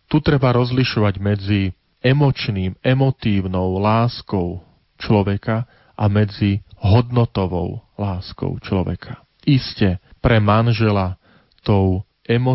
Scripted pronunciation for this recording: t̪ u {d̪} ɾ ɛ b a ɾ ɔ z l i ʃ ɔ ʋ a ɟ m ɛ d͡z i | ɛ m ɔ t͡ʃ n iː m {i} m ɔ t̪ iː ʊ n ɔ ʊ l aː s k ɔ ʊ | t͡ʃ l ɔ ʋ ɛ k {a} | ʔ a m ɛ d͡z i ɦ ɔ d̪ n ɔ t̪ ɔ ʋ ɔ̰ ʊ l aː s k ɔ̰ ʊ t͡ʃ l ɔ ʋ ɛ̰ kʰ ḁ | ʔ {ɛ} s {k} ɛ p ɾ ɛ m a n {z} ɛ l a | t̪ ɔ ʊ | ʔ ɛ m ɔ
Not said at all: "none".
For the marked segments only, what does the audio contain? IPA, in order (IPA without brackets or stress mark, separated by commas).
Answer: t̪, ɛ, a, i, c, ʒ